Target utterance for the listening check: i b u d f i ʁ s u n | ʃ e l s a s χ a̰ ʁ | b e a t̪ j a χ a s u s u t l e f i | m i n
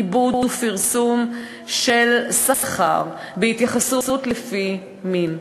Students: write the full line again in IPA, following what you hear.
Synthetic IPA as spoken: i b u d f i ʁ s u m | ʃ e l s a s χ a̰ ʁ | b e i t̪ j a χ a s u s u t l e f i | m i n